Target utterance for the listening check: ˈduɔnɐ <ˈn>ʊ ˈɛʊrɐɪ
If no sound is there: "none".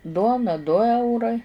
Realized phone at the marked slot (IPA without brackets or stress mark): d